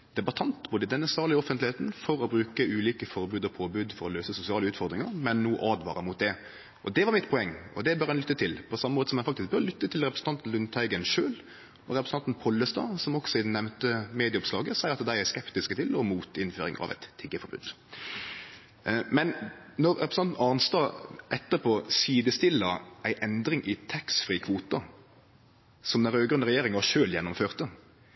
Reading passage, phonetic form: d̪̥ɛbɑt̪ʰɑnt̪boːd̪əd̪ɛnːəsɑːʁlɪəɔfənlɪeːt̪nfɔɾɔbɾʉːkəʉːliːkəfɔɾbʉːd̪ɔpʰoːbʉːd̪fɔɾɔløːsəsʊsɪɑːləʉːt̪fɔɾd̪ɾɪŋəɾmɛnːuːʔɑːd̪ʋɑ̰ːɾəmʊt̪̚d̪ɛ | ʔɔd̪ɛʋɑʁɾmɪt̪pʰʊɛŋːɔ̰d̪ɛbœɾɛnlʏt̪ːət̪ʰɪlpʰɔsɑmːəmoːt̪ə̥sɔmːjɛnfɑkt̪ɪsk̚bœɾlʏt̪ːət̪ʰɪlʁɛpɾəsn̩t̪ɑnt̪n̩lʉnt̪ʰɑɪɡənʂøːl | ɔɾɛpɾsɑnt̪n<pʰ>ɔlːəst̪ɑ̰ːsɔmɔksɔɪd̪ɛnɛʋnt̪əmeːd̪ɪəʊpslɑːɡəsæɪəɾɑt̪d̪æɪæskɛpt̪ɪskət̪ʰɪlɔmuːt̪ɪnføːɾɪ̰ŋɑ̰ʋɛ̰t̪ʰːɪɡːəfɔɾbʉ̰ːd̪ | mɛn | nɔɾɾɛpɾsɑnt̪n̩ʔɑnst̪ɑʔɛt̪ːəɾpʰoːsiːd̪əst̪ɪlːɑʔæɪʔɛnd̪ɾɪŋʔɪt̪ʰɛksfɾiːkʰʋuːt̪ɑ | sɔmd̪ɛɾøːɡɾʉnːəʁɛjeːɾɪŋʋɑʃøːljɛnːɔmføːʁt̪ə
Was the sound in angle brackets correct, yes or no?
yes